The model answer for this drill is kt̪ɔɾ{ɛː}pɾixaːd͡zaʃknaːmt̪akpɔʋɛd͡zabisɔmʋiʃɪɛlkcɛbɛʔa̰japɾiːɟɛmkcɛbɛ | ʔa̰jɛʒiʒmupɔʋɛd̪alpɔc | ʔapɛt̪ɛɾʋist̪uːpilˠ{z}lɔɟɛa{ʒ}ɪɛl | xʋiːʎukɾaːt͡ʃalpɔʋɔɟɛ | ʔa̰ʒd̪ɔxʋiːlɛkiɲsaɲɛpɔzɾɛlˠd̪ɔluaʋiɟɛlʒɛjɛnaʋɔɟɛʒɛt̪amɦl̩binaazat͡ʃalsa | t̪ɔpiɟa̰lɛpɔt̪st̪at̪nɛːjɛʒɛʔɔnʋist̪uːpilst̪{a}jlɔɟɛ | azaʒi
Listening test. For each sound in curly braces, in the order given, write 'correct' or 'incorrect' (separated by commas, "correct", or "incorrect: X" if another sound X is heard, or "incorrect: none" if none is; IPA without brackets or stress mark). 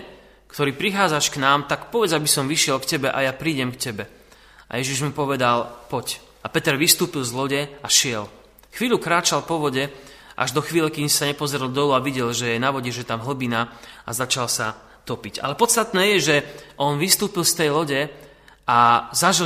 incorrect: iː, correct, incorrect: ʃ, incorrect: ɛ